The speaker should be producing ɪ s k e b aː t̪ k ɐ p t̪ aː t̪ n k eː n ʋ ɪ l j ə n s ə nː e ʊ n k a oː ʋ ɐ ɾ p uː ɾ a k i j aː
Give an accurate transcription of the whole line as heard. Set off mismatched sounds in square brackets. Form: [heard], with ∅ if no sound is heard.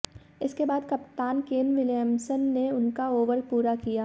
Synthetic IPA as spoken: ɪ s k e b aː [d̪] k ɐ p t̪ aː [∅] n k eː n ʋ ɪ l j ə [m] s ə nː e ʊ n k a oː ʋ [ə] ɾ p uː ɾ a k i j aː